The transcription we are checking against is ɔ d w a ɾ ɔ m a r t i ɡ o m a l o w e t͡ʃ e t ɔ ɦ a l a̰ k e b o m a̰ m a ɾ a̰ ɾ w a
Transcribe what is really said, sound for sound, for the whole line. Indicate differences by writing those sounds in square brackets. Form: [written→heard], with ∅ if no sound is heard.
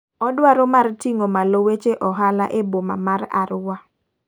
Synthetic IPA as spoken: ɔ d w a ɾ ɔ m a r t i [ɡ→ŋ] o m a l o w e t͡ʃ e [t→ʔ] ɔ ɦ a l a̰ [k→ʔ] e b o m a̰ m a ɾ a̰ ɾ w a